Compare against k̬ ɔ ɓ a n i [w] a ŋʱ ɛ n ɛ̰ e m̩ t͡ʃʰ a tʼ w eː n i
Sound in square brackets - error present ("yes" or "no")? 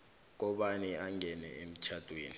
yes